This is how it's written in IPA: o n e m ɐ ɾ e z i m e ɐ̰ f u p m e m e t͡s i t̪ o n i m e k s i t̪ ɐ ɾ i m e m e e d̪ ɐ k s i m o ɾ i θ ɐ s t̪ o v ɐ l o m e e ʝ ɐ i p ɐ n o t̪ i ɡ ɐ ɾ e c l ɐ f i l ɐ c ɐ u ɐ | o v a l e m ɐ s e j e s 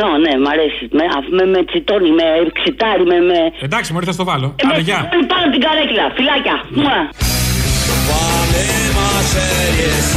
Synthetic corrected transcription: o n e m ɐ ɾ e s i m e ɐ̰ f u m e m e t͡s i t̪ o n i m e k s i t̪ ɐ ɾ i m e m e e d̪ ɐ k s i m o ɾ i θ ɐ s t̪ o v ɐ l o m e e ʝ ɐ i p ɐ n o t̪ i ɡ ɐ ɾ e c l ɐ f i l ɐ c ɐ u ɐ | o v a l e m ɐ s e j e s